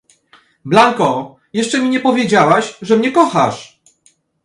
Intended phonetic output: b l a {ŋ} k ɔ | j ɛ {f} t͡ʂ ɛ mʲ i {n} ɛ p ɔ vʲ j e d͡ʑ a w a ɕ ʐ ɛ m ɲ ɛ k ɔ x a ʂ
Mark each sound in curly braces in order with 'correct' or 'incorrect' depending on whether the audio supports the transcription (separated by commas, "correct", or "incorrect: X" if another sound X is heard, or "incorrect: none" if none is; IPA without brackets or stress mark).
correct, incorrect: ʂ, incorrect: ɲ